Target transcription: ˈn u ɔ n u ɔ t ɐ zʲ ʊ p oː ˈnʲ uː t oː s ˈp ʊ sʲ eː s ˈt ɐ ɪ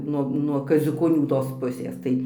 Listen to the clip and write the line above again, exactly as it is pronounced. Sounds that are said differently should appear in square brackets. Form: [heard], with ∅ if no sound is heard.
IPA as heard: ˈn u ɔ n u ɔ [k] ɐ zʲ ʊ [k] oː ˈnʲ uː t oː s ˈp ʊ sʲ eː s ˈt ɐ ɪ